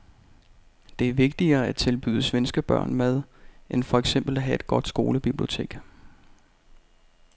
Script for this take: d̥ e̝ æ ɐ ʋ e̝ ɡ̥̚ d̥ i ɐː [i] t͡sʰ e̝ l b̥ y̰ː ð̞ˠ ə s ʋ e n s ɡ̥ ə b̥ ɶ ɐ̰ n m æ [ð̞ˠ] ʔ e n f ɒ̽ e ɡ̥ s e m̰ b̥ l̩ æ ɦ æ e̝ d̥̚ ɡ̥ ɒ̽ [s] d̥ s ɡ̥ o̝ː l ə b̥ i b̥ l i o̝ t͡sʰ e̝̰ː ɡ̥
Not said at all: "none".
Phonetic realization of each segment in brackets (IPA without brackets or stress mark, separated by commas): æ, ð̞ˠ, none